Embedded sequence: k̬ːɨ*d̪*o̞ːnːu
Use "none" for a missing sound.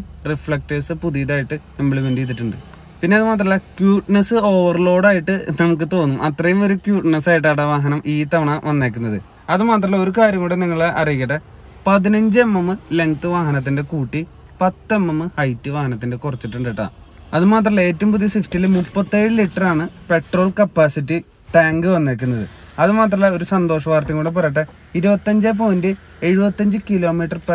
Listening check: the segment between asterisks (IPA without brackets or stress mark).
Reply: t̪